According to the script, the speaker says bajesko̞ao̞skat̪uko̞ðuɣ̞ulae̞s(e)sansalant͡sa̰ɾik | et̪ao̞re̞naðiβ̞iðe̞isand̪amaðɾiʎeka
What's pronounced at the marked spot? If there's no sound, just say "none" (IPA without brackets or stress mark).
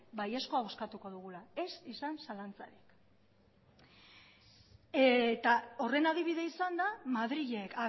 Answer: i